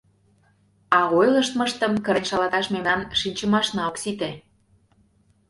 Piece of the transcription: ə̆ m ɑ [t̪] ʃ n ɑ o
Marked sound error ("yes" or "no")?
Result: yes